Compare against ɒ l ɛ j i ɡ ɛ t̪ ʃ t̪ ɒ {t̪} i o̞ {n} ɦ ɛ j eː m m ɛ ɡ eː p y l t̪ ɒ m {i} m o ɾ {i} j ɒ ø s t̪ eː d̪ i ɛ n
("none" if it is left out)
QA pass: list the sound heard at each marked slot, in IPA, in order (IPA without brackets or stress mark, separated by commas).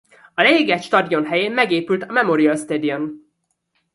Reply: d̪, n, ɛ, i